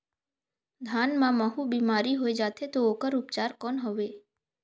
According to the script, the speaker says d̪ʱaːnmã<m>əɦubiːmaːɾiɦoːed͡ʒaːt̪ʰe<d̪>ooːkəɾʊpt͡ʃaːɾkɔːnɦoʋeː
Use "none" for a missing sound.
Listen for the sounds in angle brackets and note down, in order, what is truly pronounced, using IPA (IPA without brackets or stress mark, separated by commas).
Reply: m, t̪